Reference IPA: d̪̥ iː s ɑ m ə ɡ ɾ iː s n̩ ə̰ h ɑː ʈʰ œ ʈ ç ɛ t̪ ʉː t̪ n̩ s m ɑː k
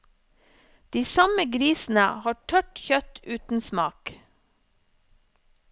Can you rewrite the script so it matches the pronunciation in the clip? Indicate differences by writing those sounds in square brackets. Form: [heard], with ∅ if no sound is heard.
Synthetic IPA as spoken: d̪̥ iː s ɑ m ə ɡ ɾ iː s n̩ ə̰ h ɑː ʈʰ œ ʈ ç [œ] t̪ ʉː t̪ n̩ s m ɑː k